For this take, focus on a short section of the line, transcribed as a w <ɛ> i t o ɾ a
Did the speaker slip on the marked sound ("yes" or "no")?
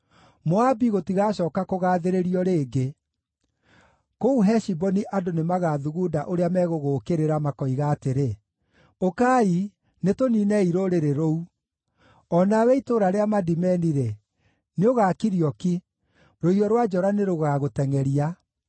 no